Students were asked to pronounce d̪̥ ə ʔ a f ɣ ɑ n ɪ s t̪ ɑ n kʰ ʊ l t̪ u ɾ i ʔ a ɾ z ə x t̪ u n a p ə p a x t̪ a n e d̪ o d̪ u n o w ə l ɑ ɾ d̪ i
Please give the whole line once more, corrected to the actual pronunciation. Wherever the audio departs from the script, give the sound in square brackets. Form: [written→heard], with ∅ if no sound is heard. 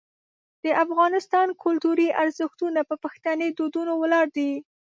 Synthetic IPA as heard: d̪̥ ə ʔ a f ɣ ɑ n ɪ s t̪ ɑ n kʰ ʊ l t̪ u ɾ i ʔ a ɾ z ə x t̪ u n a p ə p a x t̪ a n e d̪ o d̪ u n o w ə l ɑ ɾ d̪ i

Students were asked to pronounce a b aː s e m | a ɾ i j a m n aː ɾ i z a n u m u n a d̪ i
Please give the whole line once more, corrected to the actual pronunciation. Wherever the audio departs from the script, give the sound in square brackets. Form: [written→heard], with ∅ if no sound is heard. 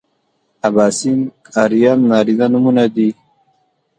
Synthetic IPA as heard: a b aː s [e→i] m | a ɾ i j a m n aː ɾ i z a n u m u n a d̪ i

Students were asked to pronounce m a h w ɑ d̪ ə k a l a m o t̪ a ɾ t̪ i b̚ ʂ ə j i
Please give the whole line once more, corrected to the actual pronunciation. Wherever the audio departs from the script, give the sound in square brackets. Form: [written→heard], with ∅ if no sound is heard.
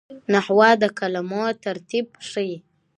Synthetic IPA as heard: [m→n] a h w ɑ d̪ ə k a l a m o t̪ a ɾ t̪ i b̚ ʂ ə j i

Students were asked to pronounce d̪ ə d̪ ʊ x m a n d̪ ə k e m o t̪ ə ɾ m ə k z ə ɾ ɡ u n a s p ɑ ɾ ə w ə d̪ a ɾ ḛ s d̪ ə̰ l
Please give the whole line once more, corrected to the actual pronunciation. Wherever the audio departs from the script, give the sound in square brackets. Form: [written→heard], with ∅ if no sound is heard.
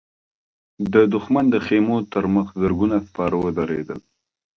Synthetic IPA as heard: d̪ ə d̪ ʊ x m a n d̪ ə [k→x] e m o t̪ ə ɾ m ə [k→x] z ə ɾ ɡ u n a s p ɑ ɾ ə w ə d̪ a ɾ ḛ [s→∅] d̪ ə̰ l

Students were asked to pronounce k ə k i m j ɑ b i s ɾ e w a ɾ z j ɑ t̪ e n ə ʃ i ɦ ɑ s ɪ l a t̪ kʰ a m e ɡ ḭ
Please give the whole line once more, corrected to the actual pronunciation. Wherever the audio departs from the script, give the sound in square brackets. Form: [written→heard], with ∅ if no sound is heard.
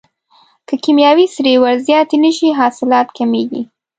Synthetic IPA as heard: k ə k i m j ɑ [b→w] i s ɾ e w a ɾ z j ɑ t̪ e n ə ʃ i ɦ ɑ s ɪ l [a→ɑ] t̪ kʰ a m e ɡ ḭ

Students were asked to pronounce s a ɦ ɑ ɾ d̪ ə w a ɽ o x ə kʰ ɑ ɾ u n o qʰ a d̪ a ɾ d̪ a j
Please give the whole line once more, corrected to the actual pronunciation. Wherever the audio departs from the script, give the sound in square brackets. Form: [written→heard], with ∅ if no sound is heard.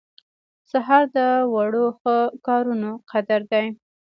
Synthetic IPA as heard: s a ɦ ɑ ɾ d̪ ə w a ɽ o x ə [kʰ→k] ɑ ɾ u n o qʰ a d̪ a ɾ d̪ a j

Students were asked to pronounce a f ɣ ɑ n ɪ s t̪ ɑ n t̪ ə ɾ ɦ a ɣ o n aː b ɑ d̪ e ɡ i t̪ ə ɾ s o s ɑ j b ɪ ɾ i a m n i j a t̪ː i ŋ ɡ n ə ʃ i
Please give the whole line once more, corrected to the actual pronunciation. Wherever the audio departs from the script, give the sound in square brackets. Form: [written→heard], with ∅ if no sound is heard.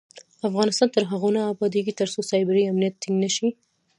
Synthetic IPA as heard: a f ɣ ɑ n ɪ s t̪ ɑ n t̪ ə ɾ ɦ a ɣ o n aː b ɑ d̪ e ɡ i t̪ ə ɾ s o s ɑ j b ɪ ɾ i a m n i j a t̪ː i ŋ ɡ n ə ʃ i

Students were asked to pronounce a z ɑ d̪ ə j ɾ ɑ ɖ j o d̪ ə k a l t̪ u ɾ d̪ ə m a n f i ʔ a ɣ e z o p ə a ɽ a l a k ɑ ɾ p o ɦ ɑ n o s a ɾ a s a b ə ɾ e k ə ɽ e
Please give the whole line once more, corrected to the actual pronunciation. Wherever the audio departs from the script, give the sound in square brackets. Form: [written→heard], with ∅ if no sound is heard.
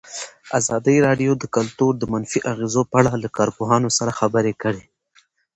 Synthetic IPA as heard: a z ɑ d̪ ə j ɾ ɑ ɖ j o d̪ ə k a l t̪ u ɾ d̪ ə m a n f i ʔ a ɣ e z o p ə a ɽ a l a k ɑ ɾ p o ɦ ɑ n o s a ɾ a [s→x] a b ə ɾ e k ə ɽ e

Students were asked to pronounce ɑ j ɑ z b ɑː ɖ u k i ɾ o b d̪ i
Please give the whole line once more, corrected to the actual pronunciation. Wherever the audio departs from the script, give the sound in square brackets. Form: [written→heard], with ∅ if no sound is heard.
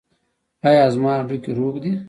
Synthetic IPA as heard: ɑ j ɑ z [b→m] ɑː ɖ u k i ɾ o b d̪ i

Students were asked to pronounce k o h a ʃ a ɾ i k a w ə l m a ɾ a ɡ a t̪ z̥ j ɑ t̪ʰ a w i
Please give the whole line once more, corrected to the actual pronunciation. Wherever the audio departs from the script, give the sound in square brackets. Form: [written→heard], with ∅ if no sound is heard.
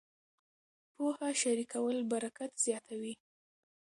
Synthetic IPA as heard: [k→p] o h a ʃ a ɾ i k a w ə l [m→b] a ɾ a [ɡ→k] a t̪ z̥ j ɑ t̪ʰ a w i

